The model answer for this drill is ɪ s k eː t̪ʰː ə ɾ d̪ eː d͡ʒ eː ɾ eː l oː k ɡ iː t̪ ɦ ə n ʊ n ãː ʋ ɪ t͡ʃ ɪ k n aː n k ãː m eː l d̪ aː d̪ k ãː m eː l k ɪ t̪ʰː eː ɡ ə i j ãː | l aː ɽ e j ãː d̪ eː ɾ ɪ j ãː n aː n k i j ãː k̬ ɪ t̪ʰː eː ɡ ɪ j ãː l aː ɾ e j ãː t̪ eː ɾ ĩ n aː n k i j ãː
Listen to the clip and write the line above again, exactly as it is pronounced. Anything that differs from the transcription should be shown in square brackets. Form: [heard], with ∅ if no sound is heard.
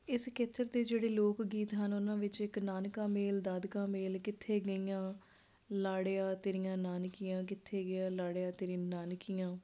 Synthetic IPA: ɪ s k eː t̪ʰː ə ɾ d̪ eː d͡ʒ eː [ɽ] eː l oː k ɡ iː t̪ ɦ ə n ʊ n ãː ʋ ɪ t͡ʃ ɪ k n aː n k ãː m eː l d̪ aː d̪ k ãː m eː l k ɪ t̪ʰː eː ɡ ə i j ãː | l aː ɽ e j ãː [t̪] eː ɾ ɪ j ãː n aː n k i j ãː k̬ ɪ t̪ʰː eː ɡ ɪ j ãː l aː [ɽ] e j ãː t̪ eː ɾ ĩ n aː n k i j ãː